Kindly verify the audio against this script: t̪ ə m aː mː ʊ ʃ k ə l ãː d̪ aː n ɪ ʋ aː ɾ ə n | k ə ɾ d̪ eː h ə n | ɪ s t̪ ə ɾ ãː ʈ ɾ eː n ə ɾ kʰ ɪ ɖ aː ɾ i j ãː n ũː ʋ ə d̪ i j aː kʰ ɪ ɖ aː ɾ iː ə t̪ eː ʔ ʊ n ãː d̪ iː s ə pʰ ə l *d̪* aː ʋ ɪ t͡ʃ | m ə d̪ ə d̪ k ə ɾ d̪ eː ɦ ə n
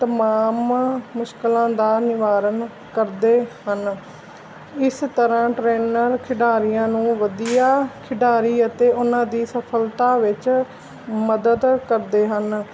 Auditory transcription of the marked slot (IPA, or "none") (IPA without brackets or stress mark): t̪